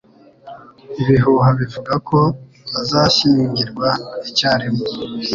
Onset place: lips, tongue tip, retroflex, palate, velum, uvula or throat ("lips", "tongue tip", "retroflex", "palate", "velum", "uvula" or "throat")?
lips